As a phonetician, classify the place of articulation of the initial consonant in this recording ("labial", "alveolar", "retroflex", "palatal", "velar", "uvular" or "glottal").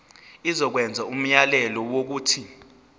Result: alveolar